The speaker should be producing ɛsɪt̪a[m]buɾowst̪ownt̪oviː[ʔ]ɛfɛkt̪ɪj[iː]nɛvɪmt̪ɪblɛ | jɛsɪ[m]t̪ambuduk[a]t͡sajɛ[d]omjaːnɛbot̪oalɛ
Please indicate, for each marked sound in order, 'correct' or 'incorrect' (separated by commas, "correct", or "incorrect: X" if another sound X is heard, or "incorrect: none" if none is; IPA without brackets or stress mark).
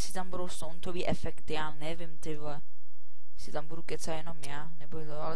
correct, correct, incorrect: aː, incorrect: none, incorrect: ɛ, incorrect: n